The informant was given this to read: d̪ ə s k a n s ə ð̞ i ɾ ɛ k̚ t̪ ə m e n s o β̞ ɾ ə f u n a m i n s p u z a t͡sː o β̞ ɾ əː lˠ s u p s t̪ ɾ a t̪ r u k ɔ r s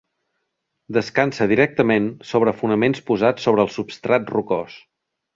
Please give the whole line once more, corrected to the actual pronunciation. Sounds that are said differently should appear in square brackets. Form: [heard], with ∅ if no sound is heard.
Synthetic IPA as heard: d̪ ə s k a n s ə ð̞ i ɾ ɛ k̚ t̪ ə m e n s o β̞ ɾ ə f u n [ə] m [e] n s p u z a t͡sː o β̞ ɾ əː lˠ s u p s t̪ ɾ a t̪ r u k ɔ [∅] s

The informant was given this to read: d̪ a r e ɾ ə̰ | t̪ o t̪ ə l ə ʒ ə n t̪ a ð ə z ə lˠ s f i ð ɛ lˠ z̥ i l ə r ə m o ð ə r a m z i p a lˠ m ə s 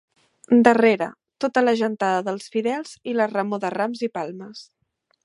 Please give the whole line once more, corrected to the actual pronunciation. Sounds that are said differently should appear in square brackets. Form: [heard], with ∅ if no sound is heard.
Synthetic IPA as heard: d̪ [ə] r e ɾ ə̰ | t̪ o t̪ ə l ə ʒ ə n t̪ a ð ə [ð] ə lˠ s f i ð ɛ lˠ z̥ i l ə r ə m o ð ə r a m z i p a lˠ m ə s

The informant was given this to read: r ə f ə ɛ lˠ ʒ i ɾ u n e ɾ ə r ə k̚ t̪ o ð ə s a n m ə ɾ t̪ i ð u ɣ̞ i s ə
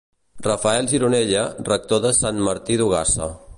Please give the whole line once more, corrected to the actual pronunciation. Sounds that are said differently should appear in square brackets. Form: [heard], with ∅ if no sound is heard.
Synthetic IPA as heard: r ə f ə ɛ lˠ ʒ i ɾ u n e [ʎ] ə r ə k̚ t̪ o ð ə s a n m ə ɾ t̪ i ð u ɣ̞ [a] s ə

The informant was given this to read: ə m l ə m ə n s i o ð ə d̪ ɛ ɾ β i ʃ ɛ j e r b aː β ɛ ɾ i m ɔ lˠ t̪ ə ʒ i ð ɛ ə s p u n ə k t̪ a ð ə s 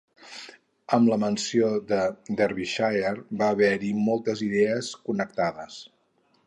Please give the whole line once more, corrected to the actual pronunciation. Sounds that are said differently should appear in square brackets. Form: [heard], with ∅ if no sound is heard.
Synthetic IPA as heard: ə m l ə m ə n s i o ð ə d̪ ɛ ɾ β i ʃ [a] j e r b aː β ɛ ɾ i m ɔ lˠ t̪ ə [z] i ð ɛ ə s [k] u n ə k t̪ a ð ə s

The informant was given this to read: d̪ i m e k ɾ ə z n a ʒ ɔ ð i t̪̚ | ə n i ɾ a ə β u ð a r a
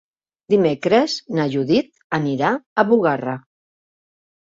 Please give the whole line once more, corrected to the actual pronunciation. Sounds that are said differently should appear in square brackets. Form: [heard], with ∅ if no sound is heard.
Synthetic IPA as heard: d̪ i m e k ɾ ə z n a ʒ [u] ð i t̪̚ | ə n i ɾ a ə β u [ɣ] a r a

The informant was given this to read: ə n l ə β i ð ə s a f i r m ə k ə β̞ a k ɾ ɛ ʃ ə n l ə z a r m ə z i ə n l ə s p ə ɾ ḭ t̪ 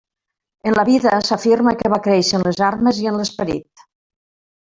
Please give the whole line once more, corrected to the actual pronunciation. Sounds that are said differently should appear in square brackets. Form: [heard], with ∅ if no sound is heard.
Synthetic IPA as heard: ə n l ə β i ð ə s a f i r m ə k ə β̞ a k ɾ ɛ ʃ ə n l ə z a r m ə z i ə n l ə s p ə ɾ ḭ t̪

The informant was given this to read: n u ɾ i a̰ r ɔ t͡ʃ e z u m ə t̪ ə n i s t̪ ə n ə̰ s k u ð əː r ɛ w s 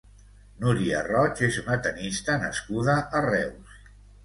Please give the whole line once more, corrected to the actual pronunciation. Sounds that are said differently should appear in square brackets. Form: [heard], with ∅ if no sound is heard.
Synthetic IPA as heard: n u ɾ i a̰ r ɔ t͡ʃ e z u [n] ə t̪ ə n i s t̪ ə n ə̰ s k u ð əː r ɛ w s

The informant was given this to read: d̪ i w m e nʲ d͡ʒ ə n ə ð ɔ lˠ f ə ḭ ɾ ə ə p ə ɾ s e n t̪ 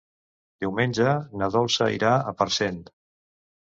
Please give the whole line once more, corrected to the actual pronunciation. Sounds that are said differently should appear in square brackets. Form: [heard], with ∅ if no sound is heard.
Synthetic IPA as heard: d̪ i w m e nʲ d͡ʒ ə n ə ð ɔ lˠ [s] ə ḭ ɾ [a] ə p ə ɾ s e n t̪

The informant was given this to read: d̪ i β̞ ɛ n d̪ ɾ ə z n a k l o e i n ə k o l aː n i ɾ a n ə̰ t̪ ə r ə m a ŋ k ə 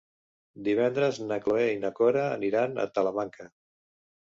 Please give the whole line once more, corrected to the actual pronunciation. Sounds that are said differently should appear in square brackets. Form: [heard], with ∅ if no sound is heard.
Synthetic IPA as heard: d̪ i β̞ ɛ n d̪ ɾ ə z n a k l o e i n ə k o [ɾ] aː n i ɾ a n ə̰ t̪ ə [l] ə m a ŋ k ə

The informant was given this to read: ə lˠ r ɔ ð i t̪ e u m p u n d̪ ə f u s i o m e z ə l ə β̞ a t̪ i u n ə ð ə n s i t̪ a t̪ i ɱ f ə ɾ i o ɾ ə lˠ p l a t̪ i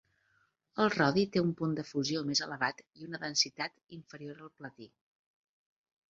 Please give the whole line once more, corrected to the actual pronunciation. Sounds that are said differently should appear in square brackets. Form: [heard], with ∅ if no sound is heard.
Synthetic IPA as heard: ə lˠ r ɔ ð i t̪ e u m p u n d̪ ə f u [z] i o m e z ə l ə β̞ a t̪ i u n ə ð ə n s i t̪ a t̪ i ɱ f ə ɾ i o ɾ ə lˠ p l [ə] t̪ i

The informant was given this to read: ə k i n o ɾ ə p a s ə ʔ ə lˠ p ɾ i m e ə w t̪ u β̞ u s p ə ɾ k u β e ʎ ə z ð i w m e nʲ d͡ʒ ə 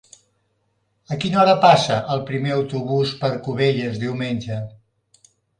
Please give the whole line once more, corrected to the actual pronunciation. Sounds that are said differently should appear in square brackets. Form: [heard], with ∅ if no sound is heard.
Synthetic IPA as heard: ə k i n [ɔ] ɾ ə p a s ə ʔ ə lˠ p ɾ i m e ə w t̪ u β̞ u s p ə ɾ k u β e ʎ ə z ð i w m e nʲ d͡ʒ ə

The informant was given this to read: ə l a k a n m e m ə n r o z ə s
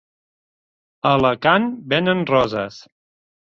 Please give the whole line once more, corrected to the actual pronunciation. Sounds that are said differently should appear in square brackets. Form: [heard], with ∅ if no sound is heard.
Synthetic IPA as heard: ə l [ə] k a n [b] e [n] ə n r [ɔ] z ə s

